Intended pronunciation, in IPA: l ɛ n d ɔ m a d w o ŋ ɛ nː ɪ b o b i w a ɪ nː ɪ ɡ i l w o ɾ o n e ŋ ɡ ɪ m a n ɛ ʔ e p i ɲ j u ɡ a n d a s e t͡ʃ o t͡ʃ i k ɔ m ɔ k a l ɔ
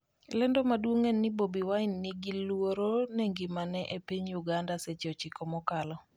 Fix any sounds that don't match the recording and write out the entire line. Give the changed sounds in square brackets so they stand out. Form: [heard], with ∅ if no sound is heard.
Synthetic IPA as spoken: l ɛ n d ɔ m a d w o ŋ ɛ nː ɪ b o b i w a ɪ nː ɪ ɡ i l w o ɾ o n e ŋ ɡ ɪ m a n ɛ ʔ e p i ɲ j u ɡ a n d a s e t͡ʃ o t͡ʃ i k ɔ m ɔ k a l ɔ